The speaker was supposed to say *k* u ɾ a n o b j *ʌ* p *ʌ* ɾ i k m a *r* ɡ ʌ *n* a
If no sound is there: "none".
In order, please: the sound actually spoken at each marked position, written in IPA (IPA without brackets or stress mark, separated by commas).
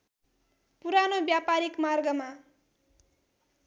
p, a, a, r, m